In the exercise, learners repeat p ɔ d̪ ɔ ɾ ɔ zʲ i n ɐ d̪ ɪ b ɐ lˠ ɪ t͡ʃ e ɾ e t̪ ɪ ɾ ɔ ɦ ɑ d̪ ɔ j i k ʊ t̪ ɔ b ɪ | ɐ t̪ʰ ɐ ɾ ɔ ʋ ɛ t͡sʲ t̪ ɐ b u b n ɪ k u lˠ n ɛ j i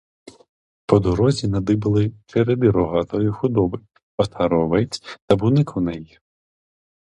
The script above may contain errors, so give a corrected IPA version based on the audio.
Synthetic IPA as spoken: p ɔ d̪ ɔ ɾ ɔ zʲ i n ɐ d̪ ɪ b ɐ lˠ ɪ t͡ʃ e ɾ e d̪ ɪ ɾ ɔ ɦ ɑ t̪ ɔ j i x ʊ d̪ ɔ b ɪ | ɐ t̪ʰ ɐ ɾ ɔ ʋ ɛ t͡sʲ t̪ ɐ b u n ɪ k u n ɛ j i